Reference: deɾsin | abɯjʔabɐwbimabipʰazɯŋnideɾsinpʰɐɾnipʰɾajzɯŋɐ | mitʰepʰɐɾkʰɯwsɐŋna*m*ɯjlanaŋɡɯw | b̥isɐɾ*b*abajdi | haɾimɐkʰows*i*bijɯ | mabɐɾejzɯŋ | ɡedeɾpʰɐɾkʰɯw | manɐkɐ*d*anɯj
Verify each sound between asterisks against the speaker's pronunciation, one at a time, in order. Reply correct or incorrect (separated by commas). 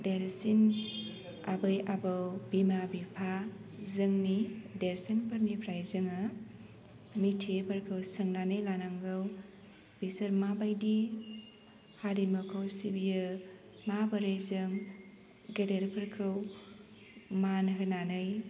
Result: incorrect, incorrect, correct, incorrect